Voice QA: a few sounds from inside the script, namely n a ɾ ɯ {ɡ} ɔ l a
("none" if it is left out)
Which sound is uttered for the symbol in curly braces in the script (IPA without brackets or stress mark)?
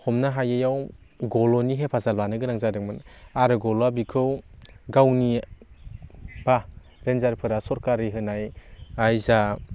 ɡ